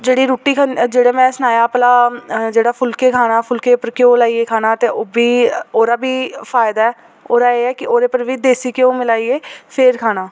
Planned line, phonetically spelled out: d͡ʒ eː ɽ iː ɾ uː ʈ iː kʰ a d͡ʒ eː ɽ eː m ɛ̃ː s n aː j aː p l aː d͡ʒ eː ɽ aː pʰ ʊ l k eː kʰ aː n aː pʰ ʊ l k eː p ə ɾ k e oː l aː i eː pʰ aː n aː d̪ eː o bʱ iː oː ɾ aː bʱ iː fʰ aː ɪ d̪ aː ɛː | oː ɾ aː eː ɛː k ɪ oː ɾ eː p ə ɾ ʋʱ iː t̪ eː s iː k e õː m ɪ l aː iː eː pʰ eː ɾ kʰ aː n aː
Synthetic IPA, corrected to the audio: d͡ʒ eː ɽ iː ɾ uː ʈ iː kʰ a d͡ʒ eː ɽ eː m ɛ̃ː s n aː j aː p l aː d͡ʒ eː ɽ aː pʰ ʊ l k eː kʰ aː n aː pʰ ʊ l k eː p ə ɾ k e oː l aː i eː kʰ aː n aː t̪ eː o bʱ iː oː ɾ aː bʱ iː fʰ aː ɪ d̪ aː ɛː | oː ɾ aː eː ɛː k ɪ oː ɾ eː p ə ɾ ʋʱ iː d̪ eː s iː k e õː m ɪ l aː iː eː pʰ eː ɾ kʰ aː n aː